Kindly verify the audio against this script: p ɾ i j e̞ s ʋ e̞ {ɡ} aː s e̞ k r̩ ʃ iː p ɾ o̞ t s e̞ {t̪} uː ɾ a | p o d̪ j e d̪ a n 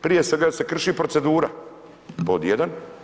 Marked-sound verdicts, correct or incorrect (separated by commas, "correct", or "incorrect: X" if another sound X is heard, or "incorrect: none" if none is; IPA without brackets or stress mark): correct, incorrect: d̪